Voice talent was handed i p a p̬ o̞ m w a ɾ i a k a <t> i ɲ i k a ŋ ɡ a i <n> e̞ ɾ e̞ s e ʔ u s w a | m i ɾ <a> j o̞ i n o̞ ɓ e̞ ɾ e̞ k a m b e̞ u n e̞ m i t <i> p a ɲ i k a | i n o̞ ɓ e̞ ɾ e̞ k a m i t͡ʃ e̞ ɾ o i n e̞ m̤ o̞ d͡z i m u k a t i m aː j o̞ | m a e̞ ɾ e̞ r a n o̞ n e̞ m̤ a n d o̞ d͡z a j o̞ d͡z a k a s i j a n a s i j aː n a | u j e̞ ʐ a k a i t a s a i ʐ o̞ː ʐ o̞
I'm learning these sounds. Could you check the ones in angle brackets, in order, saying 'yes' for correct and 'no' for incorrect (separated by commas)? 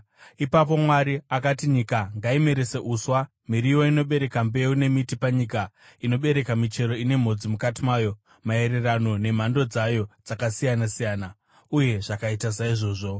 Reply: yes, no, no, yes